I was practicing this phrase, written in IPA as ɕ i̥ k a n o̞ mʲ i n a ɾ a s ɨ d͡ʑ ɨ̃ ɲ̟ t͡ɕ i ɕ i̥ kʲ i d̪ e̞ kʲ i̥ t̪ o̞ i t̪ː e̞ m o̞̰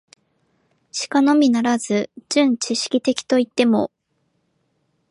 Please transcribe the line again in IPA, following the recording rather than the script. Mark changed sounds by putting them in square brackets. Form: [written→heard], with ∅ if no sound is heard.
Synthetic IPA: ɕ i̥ k a n o̞ mʲ i n a ɾ a [s→z] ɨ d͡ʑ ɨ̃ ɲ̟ t͡ɕ i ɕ i̥ kʲ i [d̪→t̪] e̞ kʲ i̥ t̪ o̞ i t̪ː e̞ m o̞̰